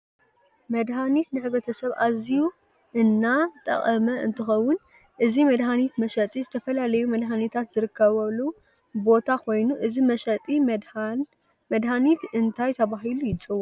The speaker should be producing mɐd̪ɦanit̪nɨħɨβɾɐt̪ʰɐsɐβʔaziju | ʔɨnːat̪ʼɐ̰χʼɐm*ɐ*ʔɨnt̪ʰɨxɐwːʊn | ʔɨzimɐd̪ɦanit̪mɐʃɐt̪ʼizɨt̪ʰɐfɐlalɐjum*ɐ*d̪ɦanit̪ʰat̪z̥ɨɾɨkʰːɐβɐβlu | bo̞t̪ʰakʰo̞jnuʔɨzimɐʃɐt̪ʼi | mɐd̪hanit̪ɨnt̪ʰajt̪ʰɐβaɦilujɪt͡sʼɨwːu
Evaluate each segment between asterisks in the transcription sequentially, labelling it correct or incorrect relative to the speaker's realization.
correct, correct

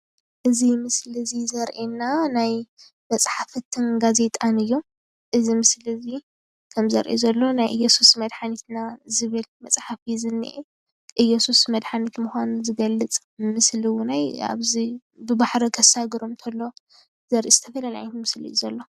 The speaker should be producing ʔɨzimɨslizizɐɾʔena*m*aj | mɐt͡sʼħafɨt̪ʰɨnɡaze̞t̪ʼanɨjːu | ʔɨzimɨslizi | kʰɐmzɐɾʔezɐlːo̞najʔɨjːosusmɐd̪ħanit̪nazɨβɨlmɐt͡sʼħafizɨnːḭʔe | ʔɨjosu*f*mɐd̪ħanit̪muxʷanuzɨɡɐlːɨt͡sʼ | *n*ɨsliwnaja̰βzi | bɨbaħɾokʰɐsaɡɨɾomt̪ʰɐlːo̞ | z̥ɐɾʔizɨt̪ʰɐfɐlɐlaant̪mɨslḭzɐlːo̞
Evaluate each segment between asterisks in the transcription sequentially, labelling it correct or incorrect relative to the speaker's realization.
incorrect: n, incorrect: s, incorrect: m

